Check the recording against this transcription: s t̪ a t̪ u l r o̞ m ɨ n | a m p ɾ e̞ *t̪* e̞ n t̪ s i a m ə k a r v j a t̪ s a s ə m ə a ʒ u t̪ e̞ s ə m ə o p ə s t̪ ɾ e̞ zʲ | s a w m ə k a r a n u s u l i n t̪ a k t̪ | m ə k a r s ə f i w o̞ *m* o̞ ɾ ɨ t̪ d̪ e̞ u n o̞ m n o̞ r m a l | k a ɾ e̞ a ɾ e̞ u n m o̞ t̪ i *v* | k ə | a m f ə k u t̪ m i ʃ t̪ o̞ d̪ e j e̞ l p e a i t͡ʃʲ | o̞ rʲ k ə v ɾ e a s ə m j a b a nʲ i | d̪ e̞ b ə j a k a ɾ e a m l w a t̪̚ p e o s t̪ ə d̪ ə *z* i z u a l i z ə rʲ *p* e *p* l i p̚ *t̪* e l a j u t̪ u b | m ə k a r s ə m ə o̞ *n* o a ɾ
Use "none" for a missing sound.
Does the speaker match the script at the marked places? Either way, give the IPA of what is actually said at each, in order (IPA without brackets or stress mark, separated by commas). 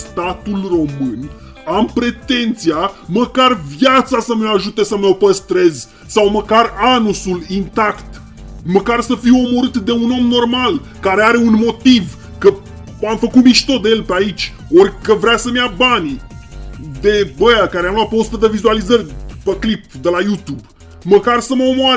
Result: t̪, m, v, v, p, k, d̪, m